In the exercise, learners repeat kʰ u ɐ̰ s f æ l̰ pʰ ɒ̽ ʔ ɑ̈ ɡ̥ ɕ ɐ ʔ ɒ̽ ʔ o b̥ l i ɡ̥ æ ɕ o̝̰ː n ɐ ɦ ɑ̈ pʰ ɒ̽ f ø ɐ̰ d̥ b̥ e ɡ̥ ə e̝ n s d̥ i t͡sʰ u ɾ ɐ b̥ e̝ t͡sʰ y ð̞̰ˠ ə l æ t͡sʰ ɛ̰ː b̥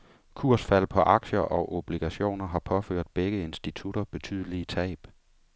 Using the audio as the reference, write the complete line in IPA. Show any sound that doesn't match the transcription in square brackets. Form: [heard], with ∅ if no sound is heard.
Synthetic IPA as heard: kʰ u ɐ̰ s f æ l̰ pʰ ɒ̽ ʔ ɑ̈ ɡ̥ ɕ ɐ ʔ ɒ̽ ʔ o b̥ l i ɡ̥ æ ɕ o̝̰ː n ɐ ɦ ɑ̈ pʰ ɒ̽ f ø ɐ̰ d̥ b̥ e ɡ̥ ə e̝ n s d̥ i t͡sʰ u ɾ ɐ b̥ e̝ t͡sʰ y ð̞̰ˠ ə l [i] t͡sʰ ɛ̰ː b̥